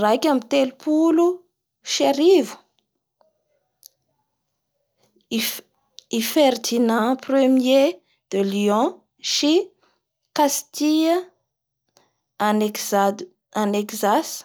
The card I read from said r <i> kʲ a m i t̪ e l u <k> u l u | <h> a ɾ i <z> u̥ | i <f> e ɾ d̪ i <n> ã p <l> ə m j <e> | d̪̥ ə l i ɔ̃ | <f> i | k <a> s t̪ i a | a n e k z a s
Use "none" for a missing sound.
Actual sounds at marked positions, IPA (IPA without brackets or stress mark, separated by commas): a, p, ʃ, v, f, n, r, e, ʃ, a